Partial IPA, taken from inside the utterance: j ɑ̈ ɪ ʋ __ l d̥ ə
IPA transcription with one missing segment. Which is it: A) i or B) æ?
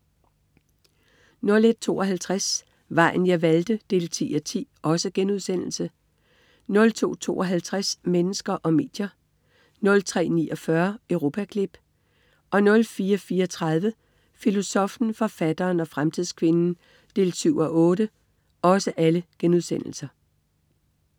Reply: B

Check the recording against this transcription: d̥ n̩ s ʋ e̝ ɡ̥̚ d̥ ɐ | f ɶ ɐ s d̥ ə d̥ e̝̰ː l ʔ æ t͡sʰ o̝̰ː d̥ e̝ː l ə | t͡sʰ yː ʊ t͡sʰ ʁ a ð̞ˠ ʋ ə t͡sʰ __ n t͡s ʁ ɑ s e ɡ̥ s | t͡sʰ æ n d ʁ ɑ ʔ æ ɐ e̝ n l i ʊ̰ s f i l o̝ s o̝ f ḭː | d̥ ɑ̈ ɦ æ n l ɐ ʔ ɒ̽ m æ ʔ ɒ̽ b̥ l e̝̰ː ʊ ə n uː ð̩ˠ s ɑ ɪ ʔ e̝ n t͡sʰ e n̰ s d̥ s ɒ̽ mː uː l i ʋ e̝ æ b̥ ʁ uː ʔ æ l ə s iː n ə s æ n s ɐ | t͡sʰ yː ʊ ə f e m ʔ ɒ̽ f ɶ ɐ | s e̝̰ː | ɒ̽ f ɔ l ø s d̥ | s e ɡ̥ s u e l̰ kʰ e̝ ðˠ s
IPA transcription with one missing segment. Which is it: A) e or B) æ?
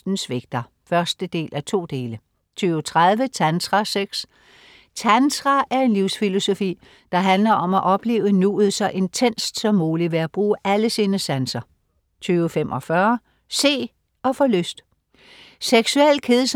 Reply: B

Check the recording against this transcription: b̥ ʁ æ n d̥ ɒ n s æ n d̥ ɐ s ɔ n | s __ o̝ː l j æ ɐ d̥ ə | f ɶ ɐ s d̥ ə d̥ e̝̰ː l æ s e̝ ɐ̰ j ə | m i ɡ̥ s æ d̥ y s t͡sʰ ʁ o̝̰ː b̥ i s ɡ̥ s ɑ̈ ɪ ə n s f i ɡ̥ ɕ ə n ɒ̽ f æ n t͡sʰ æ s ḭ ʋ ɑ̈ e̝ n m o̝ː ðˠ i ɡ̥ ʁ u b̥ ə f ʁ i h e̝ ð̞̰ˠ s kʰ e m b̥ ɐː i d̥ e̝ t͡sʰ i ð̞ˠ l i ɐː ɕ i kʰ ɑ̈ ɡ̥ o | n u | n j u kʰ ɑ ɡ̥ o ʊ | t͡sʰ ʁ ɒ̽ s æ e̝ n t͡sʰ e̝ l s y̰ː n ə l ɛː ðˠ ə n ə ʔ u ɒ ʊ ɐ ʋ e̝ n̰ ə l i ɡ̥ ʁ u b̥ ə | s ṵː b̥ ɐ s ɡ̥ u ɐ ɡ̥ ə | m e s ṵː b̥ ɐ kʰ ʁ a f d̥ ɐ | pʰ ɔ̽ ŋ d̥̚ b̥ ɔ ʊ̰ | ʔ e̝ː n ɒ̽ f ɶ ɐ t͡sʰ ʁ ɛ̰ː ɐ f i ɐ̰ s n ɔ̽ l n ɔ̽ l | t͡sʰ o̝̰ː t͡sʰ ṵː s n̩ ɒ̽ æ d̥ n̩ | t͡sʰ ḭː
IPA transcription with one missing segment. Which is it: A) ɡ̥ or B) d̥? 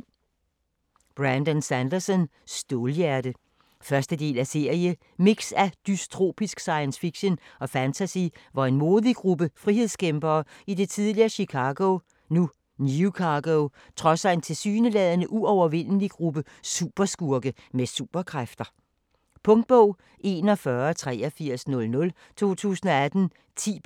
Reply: B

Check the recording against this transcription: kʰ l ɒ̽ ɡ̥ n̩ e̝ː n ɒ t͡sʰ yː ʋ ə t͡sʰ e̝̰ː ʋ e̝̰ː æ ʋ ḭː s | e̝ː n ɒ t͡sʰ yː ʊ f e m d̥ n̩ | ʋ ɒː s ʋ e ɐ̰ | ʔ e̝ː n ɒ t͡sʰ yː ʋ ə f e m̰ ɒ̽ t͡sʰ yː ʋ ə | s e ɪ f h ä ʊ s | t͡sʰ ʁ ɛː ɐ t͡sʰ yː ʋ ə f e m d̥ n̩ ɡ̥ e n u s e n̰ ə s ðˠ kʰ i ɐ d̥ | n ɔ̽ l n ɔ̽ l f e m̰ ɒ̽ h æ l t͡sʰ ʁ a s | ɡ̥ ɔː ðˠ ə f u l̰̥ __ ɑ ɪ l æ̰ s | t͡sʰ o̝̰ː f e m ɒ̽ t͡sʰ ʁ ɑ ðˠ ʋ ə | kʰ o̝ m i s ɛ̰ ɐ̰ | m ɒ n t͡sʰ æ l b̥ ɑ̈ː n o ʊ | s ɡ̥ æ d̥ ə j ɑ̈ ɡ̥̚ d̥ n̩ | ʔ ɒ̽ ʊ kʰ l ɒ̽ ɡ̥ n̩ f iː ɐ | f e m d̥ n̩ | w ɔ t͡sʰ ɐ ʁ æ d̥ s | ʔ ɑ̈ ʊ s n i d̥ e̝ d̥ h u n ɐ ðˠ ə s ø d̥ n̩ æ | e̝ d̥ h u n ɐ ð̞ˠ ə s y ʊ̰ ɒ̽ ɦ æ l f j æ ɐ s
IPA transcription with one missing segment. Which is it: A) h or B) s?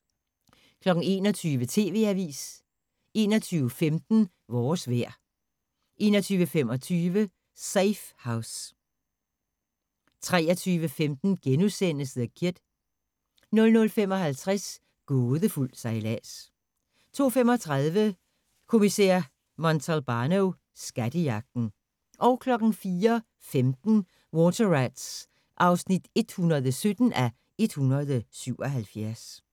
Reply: B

